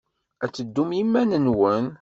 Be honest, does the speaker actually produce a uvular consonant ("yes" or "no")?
no